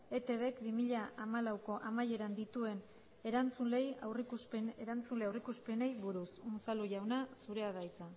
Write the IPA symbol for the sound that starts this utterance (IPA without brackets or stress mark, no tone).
e̞